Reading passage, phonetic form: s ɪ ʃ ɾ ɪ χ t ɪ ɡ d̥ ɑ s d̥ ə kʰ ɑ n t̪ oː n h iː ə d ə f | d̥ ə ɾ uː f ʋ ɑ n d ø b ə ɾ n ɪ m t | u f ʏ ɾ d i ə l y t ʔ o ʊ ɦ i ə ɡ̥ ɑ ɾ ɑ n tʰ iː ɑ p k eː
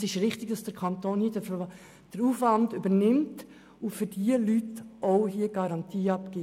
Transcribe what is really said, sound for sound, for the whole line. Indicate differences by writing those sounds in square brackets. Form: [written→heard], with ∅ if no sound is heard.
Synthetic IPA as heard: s ɪ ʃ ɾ ɪ χ t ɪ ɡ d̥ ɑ s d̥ ə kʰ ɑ n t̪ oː n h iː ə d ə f | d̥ ə ɾ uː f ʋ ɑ n d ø b ə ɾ n ɪ m t | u f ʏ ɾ d i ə l y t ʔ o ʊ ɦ i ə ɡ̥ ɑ ɾ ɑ n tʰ iː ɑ p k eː

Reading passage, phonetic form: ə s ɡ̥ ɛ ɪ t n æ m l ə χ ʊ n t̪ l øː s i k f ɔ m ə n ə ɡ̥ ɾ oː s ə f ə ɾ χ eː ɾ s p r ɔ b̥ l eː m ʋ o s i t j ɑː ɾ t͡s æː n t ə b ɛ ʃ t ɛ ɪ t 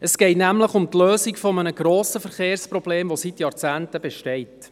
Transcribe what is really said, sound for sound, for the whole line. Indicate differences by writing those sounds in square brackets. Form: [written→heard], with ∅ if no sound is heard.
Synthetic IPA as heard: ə s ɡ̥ ɛ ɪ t n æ m l ə χ ʊ [n→m] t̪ l øː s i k f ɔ m ə n ə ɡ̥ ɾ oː s ə f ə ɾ χ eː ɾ s p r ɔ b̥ l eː m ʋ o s i t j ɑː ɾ t͡s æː n t ə b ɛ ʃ t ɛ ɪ t

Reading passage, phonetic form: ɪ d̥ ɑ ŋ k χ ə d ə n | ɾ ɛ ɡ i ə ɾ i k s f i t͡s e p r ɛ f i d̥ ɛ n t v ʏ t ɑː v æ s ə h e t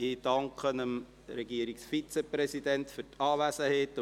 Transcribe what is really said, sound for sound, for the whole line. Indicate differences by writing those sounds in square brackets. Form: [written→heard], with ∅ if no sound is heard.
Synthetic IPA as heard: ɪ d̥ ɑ ŋ k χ ə [d→n] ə [n→m] | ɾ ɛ ɡ i ə ɾ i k s f i t͡s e p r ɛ [f→s] i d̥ ɛ n t [v→f] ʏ t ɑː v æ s ə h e t

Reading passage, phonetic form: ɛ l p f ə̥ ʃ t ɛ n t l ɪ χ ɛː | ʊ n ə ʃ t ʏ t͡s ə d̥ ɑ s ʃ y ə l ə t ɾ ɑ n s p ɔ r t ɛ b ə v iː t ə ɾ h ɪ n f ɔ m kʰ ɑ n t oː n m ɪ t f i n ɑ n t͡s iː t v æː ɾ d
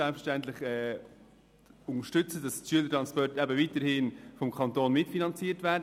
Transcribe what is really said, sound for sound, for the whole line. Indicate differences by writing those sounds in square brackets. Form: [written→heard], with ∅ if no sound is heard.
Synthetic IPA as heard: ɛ l p f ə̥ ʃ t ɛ n t l ɪ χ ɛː | ʊ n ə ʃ t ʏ t͡s ə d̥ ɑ s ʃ y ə l ə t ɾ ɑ n s p ɔ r t ɛ b ə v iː t ə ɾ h ɪ n f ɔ m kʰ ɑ n t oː n m ɪ t f i n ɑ n t͡s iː t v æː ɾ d

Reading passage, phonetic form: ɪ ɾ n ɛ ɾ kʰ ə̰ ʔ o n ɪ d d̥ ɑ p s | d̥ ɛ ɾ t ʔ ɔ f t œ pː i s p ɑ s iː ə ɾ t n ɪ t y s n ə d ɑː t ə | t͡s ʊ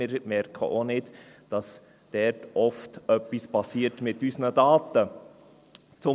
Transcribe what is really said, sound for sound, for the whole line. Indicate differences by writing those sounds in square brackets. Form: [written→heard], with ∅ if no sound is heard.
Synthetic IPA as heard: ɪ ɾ [n→m] ɛ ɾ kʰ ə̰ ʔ o n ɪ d d̥ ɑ [p→∅] s | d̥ ɛ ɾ t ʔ ɔ f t œ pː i s p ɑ s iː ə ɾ t [n→m] ɪ t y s n ə d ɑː t ə | t͡s ʊ

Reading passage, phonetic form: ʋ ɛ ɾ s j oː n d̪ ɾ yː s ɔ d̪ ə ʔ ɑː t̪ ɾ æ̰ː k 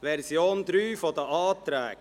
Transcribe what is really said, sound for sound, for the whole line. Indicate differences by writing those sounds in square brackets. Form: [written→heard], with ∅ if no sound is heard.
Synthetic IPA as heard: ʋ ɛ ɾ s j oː n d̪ ɾ yː [s→f] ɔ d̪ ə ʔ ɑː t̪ ɾ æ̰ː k

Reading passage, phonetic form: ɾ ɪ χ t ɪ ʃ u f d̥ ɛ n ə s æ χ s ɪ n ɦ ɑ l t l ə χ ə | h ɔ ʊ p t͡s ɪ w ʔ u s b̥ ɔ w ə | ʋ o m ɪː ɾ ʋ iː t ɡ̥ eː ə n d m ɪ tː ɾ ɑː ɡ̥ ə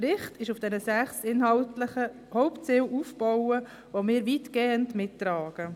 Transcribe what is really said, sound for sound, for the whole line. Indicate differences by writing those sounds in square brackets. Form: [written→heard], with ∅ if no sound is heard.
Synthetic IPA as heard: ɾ ɪ χ t ɪ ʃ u f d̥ ɛ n ə s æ χ s ɪ n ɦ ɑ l t l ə χ ə | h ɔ ʊ p t͡s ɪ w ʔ u [s→f] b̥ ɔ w ə | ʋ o m ɪː ɾ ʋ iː t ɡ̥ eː ə n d m ɪ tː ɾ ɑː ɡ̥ ə

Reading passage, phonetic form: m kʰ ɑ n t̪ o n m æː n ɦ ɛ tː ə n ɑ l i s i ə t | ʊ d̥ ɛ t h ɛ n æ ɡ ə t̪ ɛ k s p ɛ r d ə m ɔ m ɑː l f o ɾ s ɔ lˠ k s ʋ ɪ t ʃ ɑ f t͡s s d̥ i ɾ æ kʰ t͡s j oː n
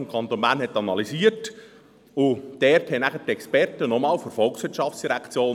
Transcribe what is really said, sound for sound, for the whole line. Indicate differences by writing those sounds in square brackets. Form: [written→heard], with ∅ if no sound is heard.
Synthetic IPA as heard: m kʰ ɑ n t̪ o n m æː n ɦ ɛ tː [ə→ɑ] n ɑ l i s i ə t | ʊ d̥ ɛ t h ɛ n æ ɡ ə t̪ ɛ k s p ɛ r [d→t] ə [m→n] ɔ m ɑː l f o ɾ [s→f] ɔ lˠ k s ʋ ɪ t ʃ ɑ f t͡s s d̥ i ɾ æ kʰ t͡s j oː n

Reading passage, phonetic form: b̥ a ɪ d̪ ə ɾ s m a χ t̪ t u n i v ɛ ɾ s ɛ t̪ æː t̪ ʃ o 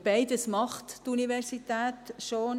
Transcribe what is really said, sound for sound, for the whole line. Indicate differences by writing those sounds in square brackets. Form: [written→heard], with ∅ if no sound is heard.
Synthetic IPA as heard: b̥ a ɪ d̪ ə [ɾ→∅] s m [a→ɑ] χ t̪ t u n i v ɛ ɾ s [ɛ→i] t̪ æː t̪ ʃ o

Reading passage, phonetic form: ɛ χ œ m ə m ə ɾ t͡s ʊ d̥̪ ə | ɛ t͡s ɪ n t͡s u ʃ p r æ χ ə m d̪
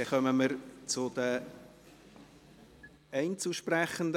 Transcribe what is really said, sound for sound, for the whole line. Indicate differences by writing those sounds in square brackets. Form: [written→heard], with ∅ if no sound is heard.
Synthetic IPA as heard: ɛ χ œ m ə m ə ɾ t͡s ʊ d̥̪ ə | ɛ [t͡s→∅] ɪ n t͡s u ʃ p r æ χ ə [m→n] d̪

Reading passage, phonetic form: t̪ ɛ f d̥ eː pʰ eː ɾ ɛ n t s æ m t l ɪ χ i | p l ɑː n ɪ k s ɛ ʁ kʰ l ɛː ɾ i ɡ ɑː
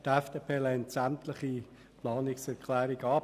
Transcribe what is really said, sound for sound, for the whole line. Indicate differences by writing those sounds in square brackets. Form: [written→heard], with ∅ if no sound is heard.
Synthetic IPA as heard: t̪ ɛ f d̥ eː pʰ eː [ɾ→l] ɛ n t s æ m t l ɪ χ i | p l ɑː n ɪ k s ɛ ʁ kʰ l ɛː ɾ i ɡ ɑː

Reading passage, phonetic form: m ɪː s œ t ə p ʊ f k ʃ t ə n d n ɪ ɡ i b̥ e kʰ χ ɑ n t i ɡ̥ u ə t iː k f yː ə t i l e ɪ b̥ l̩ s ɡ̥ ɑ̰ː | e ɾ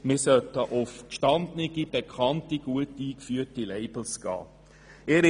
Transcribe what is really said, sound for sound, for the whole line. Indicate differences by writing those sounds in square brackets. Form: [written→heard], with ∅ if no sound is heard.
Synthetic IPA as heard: m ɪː s œ t ə [p→ʔ] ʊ f k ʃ t [ə→ɑ] n d n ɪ ɡ i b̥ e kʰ χ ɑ n t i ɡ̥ u ə t iː k f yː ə t i l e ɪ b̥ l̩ s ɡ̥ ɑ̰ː | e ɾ

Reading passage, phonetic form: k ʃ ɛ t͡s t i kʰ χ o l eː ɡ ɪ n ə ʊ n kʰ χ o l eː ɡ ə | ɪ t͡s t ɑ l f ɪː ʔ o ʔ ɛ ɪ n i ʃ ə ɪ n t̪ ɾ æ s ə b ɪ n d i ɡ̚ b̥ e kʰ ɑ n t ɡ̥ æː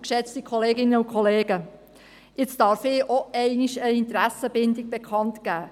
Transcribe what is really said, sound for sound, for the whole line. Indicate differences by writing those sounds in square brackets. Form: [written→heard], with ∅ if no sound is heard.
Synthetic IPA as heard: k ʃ ɛ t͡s t i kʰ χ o l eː ɡ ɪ n ə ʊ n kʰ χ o l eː ɡ ə | ɪ t͡s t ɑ [l→ɾ] f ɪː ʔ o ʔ ɛ ɪ n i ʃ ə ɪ n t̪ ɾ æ s ə b ɪ n d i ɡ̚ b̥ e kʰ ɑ n t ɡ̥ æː

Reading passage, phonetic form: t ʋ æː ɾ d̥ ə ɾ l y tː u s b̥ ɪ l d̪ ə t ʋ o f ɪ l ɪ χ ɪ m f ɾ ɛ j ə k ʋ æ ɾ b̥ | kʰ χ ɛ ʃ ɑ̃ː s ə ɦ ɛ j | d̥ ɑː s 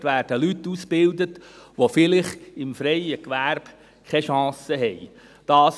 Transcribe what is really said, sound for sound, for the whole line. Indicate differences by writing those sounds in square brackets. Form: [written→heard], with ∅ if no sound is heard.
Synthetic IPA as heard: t ʋ æː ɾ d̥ ə [ɾ→∅] l y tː u s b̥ ɪ l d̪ ə t ʋ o f ɪ l ɪ χ ɪ m f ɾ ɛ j ə k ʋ æ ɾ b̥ | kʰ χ ɛ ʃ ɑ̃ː s ə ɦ ɛ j | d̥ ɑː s

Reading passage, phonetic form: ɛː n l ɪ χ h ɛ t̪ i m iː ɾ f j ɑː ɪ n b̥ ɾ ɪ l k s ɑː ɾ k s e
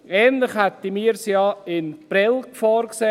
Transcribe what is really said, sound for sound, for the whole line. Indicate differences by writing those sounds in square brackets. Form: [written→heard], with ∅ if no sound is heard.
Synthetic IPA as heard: ɛː n l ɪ χ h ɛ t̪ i m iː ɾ [f→s] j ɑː ɪ n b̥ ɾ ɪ l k [s→f] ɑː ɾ k s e

